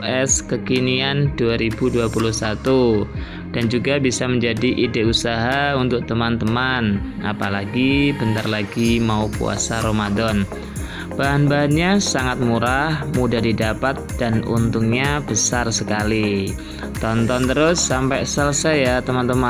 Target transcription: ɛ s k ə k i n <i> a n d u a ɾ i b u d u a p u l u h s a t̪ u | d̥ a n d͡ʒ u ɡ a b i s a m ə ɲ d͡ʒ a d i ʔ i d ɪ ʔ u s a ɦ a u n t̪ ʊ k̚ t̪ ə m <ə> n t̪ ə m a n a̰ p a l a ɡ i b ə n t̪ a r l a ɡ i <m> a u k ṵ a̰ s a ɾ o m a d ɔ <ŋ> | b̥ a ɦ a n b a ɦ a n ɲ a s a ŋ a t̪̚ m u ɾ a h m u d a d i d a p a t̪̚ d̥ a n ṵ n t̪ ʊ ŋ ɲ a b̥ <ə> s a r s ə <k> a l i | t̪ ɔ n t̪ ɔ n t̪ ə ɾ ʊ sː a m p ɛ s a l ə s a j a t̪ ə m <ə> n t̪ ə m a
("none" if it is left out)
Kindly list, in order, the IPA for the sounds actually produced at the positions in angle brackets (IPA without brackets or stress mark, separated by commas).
i, a, m, n, ə, k, a